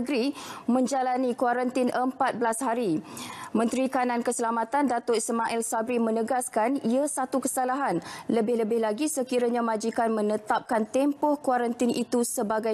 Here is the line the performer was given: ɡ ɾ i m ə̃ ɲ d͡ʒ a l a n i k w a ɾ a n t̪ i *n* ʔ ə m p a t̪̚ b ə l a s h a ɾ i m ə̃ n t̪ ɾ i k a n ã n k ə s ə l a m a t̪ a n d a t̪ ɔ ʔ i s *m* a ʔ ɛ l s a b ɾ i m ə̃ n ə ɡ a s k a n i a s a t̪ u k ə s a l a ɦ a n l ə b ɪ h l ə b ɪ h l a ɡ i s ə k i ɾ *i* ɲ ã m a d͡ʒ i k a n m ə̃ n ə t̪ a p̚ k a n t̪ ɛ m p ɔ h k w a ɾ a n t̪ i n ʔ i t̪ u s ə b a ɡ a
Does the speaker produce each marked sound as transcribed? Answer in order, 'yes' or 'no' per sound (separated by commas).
yes, yes, no